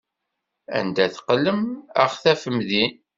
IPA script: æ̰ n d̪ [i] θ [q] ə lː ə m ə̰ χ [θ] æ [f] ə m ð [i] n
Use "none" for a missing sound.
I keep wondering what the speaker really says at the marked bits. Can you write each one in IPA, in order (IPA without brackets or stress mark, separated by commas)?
æ, q, θ, f, i